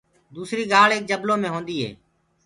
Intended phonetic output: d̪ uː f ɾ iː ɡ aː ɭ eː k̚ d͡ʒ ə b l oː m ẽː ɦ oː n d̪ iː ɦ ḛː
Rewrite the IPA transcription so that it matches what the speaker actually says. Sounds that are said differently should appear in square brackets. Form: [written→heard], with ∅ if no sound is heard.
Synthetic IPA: d̪ uː [f→s] ɾ iː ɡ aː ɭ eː k̚ d͡ʒ ə b l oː m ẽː ɦ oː n d̪ iː ɦ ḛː